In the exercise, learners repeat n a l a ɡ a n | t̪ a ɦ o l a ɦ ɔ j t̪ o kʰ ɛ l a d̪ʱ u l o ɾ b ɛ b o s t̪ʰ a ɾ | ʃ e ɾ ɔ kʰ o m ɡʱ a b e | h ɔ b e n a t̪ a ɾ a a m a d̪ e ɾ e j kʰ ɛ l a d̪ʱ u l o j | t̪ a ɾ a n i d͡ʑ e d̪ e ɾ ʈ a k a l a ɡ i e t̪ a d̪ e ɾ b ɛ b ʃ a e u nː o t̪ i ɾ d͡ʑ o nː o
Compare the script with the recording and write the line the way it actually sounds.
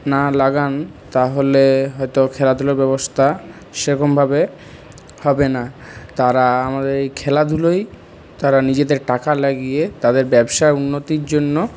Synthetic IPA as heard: n a l a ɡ a n | t̪ a ɦ o l e ɦ ɔ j t̪ o kʰ ɛ l a d̪ʱ u l o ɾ b ɛ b o s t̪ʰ a | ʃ e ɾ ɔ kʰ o m bʱ a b e | h ɔ b e n a t̪ a ɾ a a m a d̪ e ɾ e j kʰ ɛ l a d̪ʱ u l o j | t̪ a ɾ a n i d͡ʑ e d̪ e ɾ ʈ a k a l a ɡ i e t̪ a d̪ e ɾ b ɛ b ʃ a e u nː o t̪ i ɾ d͡ʑ o nː o